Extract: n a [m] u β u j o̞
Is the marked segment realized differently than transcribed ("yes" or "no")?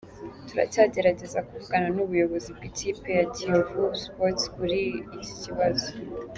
yes